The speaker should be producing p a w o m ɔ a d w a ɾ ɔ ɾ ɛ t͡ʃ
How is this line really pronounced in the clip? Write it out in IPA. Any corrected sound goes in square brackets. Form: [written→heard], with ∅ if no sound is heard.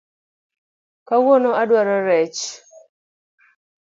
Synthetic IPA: [p→k] a w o [m→n] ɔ a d w a ɾ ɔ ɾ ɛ t͡ʃ